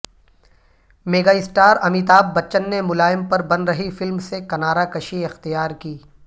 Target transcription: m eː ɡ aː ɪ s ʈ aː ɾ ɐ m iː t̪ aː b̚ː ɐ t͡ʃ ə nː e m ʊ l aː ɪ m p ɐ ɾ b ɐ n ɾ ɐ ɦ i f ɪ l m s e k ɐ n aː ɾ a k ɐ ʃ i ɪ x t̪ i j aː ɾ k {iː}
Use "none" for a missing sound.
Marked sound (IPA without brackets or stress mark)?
iː